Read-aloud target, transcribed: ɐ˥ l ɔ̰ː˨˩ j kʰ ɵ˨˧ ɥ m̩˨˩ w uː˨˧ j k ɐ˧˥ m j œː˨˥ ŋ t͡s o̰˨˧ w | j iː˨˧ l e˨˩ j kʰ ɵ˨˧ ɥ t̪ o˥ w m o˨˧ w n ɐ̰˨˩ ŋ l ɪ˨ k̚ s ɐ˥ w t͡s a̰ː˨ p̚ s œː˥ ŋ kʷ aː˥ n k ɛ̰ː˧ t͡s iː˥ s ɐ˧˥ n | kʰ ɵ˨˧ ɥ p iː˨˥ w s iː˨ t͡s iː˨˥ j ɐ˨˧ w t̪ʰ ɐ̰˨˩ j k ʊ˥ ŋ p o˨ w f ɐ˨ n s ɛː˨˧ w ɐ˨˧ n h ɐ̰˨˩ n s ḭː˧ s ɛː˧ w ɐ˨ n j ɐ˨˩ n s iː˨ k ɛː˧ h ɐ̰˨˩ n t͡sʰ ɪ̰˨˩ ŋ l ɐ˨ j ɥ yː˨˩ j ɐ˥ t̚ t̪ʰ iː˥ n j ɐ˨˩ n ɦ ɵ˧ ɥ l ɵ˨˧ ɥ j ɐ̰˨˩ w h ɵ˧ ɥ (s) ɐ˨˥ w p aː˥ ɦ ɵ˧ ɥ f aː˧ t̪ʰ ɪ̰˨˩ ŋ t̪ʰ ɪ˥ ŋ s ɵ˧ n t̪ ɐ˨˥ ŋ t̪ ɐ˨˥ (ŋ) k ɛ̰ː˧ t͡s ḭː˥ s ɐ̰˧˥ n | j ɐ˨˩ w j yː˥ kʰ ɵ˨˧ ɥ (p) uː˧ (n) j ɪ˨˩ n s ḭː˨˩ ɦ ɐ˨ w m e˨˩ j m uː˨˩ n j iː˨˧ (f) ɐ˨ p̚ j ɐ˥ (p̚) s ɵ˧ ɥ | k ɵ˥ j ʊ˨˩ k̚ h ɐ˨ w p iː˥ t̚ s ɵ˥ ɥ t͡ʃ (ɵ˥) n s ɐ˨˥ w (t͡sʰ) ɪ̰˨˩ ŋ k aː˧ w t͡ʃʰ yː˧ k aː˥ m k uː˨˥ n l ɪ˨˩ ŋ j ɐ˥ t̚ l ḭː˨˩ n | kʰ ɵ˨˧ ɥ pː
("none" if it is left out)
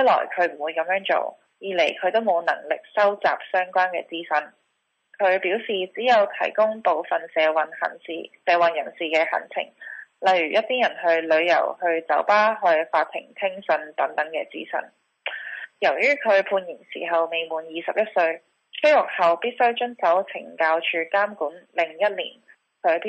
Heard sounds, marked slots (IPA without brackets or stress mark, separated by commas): t͡s, ŋ, pʰ, n, s, t̚, ɵ˥, t͡sʰ